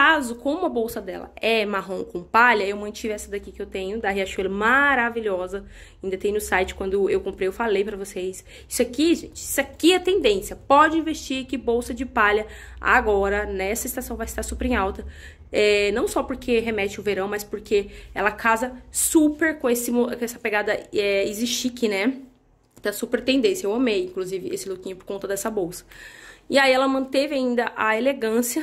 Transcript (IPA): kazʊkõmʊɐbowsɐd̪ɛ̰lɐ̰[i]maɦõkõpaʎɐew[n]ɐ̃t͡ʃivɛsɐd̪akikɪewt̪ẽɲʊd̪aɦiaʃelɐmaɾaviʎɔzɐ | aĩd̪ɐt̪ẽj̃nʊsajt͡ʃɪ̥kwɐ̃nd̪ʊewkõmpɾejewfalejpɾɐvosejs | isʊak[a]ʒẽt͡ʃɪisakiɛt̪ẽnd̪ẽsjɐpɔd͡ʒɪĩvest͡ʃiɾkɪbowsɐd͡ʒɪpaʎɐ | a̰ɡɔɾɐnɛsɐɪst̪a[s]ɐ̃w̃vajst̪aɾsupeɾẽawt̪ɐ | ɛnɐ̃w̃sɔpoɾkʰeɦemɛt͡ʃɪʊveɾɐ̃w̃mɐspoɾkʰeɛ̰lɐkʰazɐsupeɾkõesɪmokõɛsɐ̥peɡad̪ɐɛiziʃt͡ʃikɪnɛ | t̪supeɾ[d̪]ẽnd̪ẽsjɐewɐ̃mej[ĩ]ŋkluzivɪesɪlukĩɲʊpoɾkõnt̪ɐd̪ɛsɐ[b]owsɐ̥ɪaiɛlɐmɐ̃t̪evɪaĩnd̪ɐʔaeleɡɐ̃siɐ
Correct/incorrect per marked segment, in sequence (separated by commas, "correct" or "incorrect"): incorrect, incorrect, incorrect, correct, incorrect, correct, correct